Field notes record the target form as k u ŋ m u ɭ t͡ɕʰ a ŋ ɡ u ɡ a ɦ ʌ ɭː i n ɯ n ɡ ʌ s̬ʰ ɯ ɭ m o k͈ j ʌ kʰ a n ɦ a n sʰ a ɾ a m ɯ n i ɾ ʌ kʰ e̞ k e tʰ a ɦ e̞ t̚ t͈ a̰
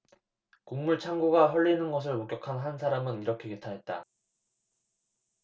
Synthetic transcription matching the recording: k u ŋ m u ɭ t͡ɕʰ a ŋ ɡ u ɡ a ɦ ʌ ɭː i n ɯ n ɡ ʌ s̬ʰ ɯ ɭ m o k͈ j ʌ kʰ a n ɦ a n sʰ a ɾ a m ɯ n i ɾ ʌ kʰ e̞ k e tʰ a ɦ e̞ t̚ t͈ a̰